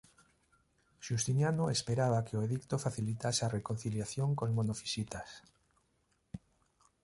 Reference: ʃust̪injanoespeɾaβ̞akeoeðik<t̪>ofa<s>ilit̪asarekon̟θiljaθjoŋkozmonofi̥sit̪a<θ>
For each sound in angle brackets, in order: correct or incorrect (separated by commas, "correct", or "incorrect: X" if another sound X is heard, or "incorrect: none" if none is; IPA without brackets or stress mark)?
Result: correct, incorrect: θ, incorrect: s